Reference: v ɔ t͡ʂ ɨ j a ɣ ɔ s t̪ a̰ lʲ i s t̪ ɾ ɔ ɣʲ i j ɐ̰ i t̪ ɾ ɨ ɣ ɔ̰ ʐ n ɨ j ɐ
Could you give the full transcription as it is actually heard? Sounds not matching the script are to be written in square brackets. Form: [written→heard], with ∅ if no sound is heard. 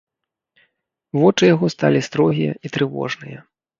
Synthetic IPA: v ɔ t͡ʂ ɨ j a ɣ ɔ s t̪ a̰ lʲ i s t̪ ɾ ɔ ɣʲ i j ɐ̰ i t̪ ɾ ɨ [ɣ→v] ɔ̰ ʐ n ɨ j ɐ